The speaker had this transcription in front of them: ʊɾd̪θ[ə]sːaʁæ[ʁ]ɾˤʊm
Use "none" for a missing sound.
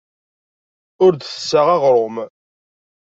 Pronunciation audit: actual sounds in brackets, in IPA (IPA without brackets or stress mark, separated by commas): ə, ʁ